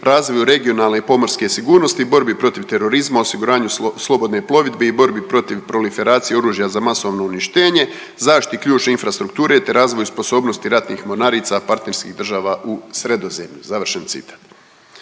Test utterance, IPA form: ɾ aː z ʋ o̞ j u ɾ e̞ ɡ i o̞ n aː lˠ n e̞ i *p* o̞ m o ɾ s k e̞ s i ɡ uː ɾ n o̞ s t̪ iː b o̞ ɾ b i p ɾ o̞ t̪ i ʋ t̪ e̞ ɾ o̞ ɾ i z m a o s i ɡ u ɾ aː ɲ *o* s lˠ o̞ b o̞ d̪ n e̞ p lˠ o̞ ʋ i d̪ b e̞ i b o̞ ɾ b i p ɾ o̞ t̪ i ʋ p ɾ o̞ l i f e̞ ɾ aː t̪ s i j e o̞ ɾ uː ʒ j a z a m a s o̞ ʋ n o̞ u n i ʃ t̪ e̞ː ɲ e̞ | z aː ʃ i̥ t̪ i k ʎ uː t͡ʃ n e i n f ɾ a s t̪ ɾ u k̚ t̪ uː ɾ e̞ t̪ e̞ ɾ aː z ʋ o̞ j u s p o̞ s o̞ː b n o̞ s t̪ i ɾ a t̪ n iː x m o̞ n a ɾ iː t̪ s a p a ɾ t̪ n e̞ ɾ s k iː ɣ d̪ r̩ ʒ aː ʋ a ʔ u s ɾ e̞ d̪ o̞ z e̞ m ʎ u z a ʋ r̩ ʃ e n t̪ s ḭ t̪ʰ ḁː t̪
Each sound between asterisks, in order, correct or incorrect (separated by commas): correct, incorrect